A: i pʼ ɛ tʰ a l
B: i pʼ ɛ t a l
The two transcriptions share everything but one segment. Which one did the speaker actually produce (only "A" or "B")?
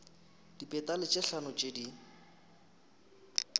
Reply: B